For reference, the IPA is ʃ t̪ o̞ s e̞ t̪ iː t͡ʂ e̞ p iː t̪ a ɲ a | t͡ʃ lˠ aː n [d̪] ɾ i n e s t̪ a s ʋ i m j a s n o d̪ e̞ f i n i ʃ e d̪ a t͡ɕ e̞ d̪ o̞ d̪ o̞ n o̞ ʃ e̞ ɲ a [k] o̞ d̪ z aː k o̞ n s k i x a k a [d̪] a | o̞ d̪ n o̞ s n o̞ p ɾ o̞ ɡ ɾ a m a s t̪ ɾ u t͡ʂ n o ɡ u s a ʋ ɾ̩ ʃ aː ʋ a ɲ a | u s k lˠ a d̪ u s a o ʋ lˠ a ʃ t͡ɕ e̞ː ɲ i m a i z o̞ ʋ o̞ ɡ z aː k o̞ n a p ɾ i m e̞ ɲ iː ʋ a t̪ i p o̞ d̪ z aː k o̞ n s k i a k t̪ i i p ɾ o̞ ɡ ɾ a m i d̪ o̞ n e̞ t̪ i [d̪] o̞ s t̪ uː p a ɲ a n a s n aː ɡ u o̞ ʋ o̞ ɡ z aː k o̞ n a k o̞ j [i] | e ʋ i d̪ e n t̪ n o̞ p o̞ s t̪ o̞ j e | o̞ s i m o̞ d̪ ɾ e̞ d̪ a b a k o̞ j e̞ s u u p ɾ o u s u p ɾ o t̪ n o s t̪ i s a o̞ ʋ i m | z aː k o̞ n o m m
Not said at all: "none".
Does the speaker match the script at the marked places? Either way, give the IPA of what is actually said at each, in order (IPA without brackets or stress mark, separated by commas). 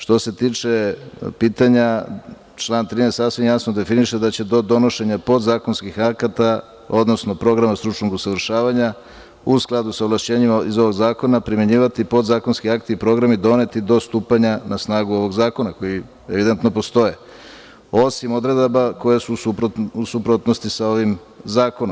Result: t̪, p, t̪, d̪, i